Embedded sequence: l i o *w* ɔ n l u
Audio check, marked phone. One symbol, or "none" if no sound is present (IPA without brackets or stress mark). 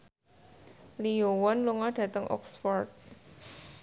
w